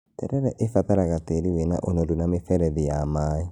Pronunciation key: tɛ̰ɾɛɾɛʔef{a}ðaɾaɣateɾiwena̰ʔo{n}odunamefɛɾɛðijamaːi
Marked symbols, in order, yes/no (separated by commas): yes, yes